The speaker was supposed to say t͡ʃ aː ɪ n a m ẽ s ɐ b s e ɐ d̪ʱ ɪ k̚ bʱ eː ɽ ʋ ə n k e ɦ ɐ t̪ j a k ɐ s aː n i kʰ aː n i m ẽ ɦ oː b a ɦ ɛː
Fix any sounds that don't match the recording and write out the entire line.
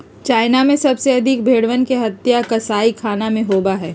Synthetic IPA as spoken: t͡ʃ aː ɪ n a m ẽ s ɐ b s e ɐ d̪ʱ ɪ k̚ bʱ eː ɽ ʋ ə n k e ɦ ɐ t̪ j a k ɐ s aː i kʰ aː n a m ẽ ɦ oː b a ɦ ɛː